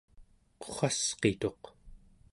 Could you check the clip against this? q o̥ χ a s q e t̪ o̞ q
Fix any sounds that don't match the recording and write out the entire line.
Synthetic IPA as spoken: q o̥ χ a s q e t̪ o̞ q